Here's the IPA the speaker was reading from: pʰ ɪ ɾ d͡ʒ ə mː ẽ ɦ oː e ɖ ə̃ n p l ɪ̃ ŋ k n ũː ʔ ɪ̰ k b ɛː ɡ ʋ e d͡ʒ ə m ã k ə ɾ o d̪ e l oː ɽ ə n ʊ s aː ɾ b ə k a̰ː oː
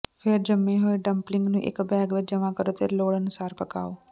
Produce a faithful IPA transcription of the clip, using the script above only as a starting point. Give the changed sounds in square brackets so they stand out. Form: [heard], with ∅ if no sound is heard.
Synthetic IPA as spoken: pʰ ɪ ɾ d͡ʒ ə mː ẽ ɦ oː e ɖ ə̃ [m] p l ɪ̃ ŋ [ɡ] n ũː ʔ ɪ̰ k b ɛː ɡ ʋ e d͡ʒ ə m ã k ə ɾ o [t̪] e l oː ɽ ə n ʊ s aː ɾ [p] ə k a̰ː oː